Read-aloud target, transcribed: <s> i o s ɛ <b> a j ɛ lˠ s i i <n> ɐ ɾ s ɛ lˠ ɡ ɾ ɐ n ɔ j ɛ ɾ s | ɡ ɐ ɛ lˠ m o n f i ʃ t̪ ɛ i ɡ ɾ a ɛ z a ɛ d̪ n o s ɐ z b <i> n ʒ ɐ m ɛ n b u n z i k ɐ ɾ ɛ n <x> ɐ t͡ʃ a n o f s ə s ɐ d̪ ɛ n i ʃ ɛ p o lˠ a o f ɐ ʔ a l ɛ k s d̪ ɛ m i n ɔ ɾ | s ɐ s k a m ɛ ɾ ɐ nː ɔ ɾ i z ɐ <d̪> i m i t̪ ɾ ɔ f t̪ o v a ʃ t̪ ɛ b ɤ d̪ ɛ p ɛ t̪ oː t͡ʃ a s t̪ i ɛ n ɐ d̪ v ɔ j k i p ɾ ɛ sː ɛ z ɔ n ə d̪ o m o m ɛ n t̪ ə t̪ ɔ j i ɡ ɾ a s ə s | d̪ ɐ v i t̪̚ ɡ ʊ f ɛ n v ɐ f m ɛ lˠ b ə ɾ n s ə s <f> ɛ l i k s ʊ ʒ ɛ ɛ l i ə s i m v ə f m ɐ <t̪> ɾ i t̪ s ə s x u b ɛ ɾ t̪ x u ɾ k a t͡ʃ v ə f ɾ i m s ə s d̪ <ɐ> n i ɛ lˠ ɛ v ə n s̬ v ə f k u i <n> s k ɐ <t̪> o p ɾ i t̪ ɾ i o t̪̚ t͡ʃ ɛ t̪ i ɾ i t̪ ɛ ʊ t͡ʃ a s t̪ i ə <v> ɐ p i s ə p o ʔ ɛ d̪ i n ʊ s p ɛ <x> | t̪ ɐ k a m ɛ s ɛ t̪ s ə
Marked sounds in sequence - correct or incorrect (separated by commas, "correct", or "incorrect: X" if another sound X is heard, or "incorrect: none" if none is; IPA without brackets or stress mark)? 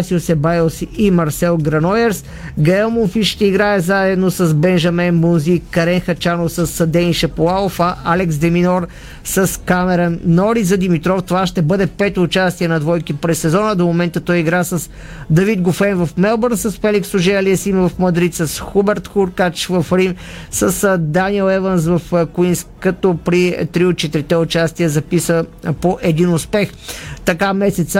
correct, correct, incorrect: m, incorrect: ɛ, correct, correct, correct, incorrect: d̪, incorrect: a, correct, correct, incorrect: z, correct